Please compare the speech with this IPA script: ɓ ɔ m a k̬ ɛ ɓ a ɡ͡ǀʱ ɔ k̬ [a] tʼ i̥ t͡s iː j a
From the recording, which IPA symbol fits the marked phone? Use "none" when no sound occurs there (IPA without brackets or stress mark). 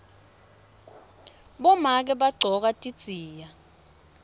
a